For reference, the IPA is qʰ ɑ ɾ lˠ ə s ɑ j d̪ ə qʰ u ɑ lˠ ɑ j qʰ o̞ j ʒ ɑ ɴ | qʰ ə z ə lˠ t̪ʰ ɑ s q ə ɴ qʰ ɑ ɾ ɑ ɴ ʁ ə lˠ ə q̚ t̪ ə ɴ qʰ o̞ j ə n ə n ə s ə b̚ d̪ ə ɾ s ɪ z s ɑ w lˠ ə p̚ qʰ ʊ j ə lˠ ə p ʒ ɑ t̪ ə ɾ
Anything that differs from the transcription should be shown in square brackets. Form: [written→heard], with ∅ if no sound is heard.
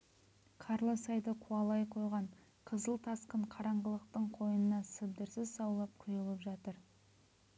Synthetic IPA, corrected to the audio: qʰ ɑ ɾ lˠ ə s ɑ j d̪ ə qʰ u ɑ lˠ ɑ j qʰ o̞ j [ʒ→ʁ] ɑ ɴ | qʰ ə z ə lˠ t̪ʰ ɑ s q ə ɴ qʰ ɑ ɾ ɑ ɴ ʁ ə lˠ ə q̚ t̪ ə ɴ qʰ o̞ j ə n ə n [ə→ɑ] s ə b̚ d̪ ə ɾ s ɪ z s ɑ w lˠ [ə→ɑ] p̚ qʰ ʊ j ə lˠ ə p ʒ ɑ t̪ ə ɾ